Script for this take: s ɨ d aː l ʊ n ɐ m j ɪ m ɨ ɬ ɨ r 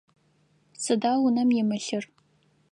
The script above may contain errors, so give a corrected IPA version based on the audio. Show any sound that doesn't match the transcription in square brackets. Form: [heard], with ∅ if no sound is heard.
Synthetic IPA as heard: s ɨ d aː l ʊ n ɐ m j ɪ m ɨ ɬ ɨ r